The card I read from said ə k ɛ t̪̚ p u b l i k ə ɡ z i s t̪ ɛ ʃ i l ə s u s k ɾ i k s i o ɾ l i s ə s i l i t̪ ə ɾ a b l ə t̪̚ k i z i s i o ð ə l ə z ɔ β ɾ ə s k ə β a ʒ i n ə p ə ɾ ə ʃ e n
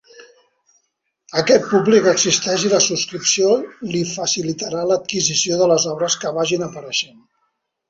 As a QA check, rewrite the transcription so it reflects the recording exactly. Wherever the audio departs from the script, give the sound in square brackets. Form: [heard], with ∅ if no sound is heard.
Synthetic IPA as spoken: ə k ɛ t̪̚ p u b l i k ə ɡ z i s t̪ ɛ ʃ i l ə s u s k ɾ i [p] s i o [∅] l i [f] ə s i l i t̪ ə ɾ a [∅] l ə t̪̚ k i z i s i o ð ə l ə z ɔ β ɾ ə s k ə β a ʒ i n ə p ə ɾ ə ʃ e n